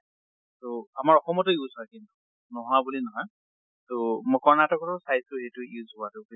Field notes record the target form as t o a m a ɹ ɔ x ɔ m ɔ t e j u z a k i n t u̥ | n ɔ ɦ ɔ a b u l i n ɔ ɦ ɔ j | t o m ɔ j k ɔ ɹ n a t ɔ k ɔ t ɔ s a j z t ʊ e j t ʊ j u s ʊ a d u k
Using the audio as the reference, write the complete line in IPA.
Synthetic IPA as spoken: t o a m a ɹ ɔ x ɔ m ɔ t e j u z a k i n t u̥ | n ɔ ɦ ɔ a b u l i n ɔ ɦ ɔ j | t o m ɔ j k ɔ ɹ n a t ɔ k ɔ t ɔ s a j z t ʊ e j t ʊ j u z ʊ a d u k

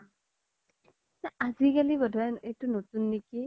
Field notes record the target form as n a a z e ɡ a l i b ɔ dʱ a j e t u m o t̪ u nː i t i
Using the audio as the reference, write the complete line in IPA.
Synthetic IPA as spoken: n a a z i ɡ a l i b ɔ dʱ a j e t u n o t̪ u nː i k i

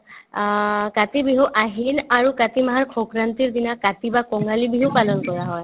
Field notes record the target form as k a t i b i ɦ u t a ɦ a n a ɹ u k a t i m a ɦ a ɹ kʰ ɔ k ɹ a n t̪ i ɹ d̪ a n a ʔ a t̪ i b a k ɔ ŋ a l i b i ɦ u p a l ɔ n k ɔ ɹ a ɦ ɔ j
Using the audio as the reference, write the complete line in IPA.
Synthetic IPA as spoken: k a t i b i ɦ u ʔ a ɦ i n a ɹ u k a t i m a ɦ a ɹ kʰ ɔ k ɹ a n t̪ i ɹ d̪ i n a k a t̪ i b a k ɔ ŋ a l i b i ɦ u p a l ɔ n k ɔ ɹ a ɦ ɔ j

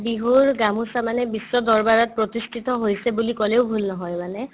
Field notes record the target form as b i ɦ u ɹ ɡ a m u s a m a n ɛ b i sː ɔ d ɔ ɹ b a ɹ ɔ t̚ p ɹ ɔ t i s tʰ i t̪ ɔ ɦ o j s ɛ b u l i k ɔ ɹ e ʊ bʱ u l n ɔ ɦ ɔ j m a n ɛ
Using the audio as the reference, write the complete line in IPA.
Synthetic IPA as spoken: b i ɦ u ɹ ɡ a m u s a m a n ɛ b i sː ɔ d ɔ ɹ b a ɹ ɔ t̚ p ɹ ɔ t i s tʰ i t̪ ɔ ɦ o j s ɛ b u l i k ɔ l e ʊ bʱ u l n ɔ ɦ ɔ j m a n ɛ

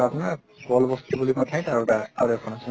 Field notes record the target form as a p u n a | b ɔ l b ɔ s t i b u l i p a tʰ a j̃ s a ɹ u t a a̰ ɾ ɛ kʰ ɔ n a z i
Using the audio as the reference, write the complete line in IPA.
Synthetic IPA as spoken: a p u n a | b ɔ l b ɔ s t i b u l i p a tʰ a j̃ t a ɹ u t a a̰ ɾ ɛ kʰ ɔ n a s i

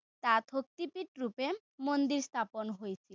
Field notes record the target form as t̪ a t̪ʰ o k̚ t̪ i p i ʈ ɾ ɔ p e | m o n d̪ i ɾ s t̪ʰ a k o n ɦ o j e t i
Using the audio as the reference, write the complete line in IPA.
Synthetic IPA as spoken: t̪ a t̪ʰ o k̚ t̪ i p i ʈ ɾ u p e | m o n d̪ i ɾ s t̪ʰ a p o n ɦ o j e t͡ɕʰ i

